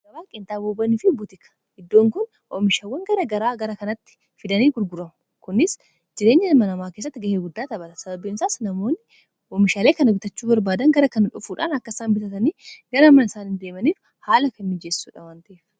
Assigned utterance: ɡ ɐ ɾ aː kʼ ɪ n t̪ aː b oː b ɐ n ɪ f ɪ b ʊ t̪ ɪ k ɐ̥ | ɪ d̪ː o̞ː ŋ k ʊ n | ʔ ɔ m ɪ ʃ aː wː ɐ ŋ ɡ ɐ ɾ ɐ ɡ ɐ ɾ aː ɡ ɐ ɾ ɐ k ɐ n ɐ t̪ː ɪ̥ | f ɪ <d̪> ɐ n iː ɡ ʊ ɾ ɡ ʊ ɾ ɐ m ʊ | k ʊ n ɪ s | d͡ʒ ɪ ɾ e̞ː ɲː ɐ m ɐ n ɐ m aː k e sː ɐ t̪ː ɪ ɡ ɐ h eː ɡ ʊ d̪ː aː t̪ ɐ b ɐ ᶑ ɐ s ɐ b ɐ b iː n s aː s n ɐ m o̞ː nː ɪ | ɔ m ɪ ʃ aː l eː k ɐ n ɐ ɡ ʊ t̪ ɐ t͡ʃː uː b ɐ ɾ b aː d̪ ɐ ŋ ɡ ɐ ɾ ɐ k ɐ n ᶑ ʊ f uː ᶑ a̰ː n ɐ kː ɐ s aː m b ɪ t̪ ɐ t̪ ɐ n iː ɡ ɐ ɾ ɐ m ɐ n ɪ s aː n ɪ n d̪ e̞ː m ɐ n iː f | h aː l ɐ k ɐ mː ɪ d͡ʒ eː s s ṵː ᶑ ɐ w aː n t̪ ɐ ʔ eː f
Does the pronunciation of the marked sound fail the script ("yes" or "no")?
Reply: no